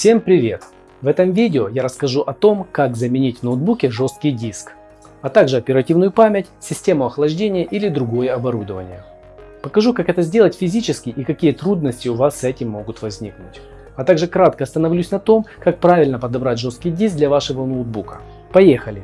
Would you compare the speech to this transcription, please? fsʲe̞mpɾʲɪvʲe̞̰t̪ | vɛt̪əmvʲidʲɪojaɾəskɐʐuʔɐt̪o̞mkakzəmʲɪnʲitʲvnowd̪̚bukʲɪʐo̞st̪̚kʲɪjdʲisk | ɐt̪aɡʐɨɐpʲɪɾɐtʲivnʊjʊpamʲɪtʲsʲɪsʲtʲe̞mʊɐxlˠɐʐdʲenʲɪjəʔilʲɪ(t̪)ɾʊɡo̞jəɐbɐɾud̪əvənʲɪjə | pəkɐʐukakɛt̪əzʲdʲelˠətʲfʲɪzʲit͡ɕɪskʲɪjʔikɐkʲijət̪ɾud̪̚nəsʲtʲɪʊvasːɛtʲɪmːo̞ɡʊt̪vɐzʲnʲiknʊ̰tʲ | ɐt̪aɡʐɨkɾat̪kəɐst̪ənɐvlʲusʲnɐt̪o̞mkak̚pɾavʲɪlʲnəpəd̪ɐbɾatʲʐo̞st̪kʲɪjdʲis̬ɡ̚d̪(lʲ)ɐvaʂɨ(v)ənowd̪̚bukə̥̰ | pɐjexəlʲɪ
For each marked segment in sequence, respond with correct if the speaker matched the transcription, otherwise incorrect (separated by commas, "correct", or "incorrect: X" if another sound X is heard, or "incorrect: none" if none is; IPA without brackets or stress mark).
incorrect: d̪, correct, correct